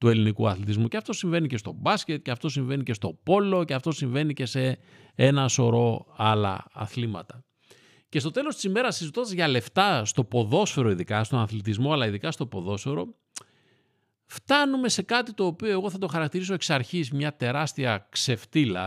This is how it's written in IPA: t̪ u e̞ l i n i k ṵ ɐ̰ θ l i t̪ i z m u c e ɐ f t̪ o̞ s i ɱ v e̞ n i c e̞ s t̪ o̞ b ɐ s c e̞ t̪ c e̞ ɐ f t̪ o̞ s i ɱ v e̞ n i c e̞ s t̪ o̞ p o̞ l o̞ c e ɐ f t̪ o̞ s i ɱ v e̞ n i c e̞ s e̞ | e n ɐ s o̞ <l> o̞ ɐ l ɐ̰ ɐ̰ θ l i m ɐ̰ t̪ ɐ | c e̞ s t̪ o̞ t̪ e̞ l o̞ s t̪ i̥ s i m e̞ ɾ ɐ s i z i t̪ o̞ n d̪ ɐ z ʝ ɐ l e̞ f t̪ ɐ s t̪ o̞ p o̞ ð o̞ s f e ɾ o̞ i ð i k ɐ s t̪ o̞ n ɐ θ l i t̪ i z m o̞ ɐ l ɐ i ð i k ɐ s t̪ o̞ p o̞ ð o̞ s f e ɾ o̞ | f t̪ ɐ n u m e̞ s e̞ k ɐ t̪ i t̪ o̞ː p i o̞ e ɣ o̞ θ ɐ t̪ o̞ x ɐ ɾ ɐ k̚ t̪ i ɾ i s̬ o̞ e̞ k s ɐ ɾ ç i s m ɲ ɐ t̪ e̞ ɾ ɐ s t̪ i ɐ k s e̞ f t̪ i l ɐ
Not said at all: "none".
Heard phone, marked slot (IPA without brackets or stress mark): ɾ